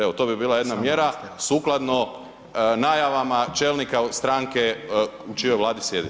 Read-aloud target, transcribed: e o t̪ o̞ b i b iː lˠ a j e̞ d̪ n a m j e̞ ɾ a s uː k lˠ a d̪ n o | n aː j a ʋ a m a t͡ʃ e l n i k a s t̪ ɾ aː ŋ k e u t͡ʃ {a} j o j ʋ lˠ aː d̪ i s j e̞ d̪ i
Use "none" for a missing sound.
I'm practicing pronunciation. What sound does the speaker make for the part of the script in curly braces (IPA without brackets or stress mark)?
i